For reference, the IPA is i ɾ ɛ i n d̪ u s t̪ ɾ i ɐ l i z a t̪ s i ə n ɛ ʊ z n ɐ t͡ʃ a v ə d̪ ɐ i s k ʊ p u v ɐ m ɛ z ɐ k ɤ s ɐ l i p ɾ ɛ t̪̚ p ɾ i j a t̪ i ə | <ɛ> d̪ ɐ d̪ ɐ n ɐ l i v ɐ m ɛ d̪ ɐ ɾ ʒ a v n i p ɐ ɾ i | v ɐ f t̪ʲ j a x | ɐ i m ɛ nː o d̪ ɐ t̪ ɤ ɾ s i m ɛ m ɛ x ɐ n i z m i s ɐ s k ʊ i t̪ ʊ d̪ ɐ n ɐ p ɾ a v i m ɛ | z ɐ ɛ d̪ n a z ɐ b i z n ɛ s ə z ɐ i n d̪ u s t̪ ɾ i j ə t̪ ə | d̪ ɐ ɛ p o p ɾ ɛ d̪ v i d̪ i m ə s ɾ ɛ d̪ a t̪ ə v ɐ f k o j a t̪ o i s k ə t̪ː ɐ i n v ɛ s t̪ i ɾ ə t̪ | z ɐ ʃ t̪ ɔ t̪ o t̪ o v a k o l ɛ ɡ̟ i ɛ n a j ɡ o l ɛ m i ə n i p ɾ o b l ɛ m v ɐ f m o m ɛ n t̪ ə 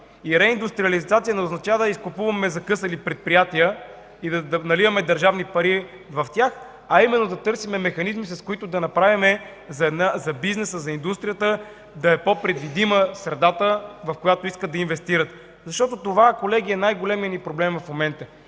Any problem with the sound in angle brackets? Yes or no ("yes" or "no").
yes